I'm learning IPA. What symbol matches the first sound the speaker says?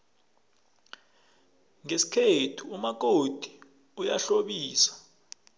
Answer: ŋ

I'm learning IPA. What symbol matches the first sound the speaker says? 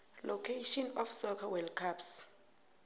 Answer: l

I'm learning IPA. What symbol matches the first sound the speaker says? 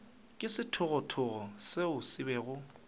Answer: kʼ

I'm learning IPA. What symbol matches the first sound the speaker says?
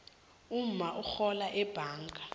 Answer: u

